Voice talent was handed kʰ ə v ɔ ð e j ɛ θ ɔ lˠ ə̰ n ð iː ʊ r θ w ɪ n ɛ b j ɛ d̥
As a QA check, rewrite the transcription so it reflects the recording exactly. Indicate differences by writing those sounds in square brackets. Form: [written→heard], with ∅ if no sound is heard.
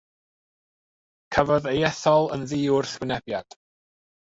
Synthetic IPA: kʰ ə v ɔ ð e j ɛ θ ɔ lˠ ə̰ n ð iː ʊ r θ w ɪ n ɛ b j [ɛ→a] d̥